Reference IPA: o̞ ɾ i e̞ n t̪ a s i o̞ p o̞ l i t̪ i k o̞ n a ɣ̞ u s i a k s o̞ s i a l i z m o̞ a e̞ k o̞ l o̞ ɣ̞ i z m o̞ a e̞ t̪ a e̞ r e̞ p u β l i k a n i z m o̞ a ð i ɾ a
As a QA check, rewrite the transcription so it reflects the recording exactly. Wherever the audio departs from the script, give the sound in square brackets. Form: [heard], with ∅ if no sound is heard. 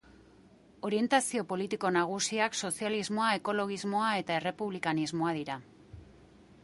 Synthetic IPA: o̞ ɾ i e̞ n t̪ a s i o̞ p o̞ l i t̪ i k o̞ n a ɣ̞ u s i a k s o̞ s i a l i z m o̞ a e̞ k o̞ l o̞ ɣ̞ i z m o̞ a e̞ t̪ a e̞ r e̞ p u β l i k a n i z m o̞ a ð i ɾ a